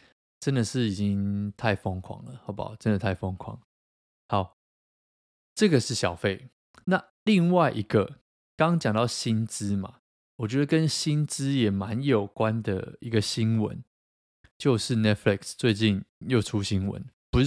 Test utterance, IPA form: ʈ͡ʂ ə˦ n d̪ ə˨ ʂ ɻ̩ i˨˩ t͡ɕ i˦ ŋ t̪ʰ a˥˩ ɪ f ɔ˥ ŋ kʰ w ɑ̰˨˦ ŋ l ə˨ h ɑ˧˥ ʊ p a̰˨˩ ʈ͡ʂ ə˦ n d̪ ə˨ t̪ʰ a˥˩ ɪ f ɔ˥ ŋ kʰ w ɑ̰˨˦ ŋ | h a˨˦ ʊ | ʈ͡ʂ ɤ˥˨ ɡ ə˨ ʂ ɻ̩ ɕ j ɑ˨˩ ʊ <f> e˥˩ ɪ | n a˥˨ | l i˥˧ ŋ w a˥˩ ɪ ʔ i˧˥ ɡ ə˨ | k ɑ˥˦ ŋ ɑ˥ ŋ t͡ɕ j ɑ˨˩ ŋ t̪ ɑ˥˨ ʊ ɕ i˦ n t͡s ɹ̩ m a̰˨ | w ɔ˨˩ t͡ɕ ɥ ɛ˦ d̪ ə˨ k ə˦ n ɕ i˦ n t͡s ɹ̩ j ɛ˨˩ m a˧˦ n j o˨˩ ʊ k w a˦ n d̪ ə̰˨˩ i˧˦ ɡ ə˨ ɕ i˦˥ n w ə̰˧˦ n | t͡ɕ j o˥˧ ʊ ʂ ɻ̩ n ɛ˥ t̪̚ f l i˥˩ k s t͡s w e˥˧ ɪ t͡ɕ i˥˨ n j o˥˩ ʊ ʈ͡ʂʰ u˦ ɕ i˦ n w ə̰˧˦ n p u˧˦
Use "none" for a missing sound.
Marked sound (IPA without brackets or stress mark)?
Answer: f